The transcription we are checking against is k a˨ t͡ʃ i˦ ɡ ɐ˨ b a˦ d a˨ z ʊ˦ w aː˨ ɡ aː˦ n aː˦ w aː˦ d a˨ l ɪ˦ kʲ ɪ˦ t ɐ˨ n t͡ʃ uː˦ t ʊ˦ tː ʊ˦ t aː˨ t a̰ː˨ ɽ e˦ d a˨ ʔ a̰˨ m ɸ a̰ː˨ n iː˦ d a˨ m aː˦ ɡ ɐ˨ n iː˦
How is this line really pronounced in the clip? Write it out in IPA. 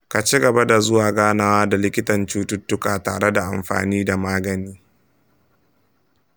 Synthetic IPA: k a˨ t͡ʃ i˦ ɡ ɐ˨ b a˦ d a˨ z ʊ˦ w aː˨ ɡ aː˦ n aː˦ w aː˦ d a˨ l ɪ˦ kʲ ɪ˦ t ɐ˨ n t͡ʃ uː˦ t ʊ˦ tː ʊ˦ k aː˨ t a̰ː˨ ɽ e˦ d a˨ ʔ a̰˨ m ɸ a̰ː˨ n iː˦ d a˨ m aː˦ ɡ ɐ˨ n iː˦